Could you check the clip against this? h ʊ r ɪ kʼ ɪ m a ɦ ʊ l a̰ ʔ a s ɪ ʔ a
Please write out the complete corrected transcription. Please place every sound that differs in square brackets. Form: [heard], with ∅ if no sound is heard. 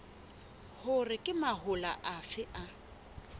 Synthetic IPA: h ʊ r ɪ kʼ ɪ m a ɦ ʊ l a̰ ʔ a [f] ɪ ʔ a